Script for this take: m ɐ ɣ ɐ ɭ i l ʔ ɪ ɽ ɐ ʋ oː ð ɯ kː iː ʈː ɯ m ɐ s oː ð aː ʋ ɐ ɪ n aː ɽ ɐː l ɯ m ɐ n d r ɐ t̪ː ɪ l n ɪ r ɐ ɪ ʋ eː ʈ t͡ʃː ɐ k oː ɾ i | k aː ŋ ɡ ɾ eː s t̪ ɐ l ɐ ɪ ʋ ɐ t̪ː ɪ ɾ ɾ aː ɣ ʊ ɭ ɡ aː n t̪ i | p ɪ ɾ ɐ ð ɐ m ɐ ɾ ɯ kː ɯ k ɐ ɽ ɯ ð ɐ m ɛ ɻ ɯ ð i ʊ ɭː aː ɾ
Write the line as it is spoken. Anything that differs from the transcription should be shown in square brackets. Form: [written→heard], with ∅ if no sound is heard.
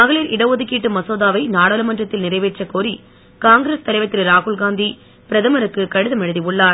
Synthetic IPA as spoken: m ɐ ɣ ɐ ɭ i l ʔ ɪ ɽ ɐ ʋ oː ð ɯ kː iː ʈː ɯ m ɐ s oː ð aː ʋ ɐ ɪ n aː ɽ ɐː l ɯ m ɐ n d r ɐ t̪ː ɪ l n ɪ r ɐ ɪ ʋ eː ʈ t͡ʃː ɐ k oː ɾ i | k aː ŋ ɡ ɾ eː s t̪ ɐ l ɐ ɪ ʋ ɐ t̪ː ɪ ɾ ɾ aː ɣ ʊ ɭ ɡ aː n [t̪→d̪] i | p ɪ ɾ ɐ ð ɐ m ɐ ɾ ɯ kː ɯ k ɐ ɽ ɯ ð ɐ m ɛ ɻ ɯ ð i ʊ ɭː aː ɾ